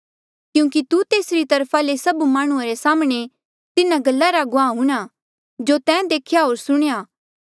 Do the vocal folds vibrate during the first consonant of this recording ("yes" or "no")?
no